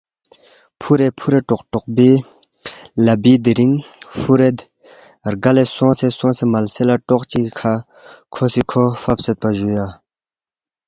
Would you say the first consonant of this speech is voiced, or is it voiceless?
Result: voiceless